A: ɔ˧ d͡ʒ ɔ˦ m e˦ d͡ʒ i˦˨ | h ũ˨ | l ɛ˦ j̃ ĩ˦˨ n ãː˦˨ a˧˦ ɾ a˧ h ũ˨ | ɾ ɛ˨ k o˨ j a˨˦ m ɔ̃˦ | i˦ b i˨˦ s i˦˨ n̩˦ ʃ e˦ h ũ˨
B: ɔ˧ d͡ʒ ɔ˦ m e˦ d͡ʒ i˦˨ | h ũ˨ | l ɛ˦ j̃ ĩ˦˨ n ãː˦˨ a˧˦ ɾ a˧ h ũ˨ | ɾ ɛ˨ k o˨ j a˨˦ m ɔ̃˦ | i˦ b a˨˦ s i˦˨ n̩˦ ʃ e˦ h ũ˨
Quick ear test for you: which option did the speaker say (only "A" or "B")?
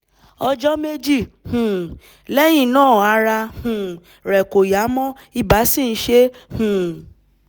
B